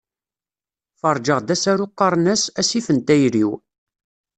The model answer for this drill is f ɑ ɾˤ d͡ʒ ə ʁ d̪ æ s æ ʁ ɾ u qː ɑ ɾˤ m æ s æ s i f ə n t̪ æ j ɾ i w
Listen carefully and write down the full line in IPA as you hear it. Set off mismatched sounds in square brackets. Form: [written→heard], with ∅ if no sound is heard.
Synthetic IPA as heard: f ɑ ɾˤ d͡ʒ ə ʁ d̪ æ s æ [ʁ→∅] ɾ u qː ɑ ɾˤ [m→n] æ s æ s i f ə n t̪ æ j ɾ i w